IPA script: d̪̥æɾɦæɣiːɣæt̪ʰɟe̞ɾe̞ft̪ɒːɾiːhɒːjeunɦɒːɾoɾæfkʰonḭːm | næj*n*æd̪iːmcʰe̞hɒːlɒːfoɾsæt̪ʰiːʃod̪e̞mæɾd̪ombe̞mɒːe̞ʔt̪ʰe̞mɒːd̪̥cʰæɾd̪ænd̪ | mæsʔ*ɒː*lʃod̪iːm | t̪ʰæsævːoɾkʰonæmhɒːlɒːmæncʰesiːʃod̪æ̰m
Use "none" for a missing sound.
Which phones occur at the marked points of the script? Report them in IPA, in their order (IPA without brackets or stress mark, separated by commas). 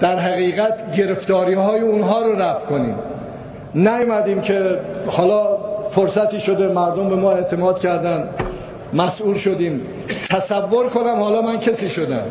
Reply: m, uː